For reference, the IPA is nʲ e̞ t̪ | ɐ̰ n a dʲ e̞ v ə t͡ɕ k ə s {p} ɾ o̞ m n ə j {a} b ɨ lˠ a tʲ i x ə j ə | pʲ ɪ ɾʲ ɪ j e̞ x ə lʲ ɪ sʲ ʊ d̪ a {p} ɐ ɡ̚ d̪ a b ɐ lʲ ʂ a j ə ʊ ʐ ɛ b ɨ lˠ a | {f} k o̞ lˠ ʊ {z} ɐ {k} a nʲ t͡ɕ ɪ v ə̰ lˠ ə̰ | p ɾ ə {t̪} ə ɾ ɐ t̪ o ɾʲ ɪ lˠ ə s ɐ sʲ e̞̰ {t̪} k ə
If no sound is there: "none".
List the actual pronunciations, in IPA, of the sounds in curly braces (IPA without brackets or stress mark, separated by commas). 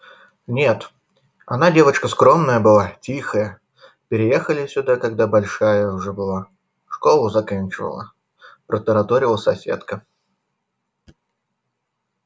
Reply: k, ə, k, ʂ, z, k, t̪, t̪